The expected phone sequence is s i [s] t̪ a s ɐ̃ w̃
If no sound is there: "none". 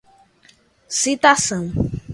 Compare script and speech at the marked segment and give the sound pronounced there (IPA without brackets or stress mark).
none